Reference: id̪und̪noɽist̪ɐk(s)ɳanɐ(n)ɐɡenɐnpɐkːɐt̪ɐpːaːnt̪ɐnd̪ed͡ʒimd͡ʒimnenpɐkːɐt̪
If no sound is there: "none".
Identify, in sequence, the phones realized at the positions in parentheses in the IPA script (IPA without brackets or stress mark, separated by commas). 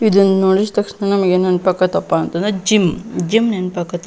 ʂ, m